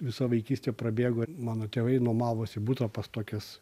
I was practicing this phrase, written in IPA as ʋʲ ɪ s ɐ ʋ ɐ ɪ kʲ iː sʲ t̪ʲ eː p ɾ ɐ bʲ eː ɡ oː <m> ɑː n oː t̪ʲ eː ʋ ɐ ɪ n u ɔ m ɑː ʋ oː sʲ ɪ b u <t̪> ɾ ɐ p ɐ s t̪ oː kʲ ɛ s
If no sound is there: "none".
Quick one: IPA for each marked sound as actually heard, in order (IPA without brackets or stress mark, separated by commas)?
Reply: m, t̪